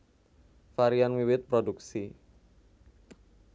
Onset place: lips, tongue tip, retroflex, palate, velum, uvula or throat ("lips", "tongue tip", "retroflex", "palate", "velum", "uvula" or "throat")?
lips